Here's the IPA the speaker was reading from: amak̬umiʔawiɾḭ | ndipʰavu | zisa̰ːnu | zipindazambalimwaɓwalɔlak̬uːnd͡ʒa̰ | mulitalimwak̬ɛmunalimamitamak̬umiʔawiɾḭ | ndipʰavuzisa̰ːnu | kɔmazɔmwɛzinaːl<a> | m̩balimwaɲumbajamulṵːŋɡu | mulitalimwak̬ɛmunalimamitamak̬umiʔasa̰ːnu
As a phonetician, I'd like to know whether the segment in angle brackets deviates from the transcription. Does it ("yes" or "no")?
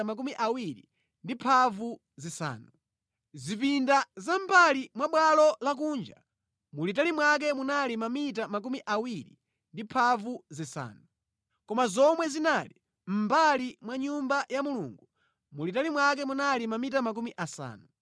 yes